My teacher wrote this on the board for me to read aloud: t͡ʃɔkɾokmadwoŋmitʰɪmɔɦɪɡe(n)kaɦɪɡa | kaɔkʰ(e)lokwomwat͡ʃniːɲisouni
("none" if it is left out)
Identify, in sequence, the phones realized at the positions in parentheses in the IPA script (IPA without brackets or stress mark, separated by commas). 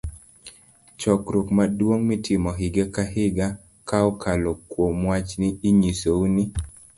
none, a